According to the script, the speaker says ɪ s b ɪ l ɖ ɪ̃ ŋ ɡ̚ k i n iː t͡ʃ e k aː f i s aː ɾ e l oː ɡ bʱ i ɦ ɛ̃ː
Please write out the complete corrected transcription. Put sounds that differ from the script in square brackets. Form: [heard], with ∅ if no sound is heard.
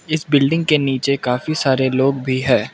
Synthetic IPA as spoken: ɪ s b ɪ l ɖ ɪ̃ ŋ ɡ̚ k [e] n iː t͡ʃ e k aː f i s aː ɾ e l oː ɡ bʱ i ɦ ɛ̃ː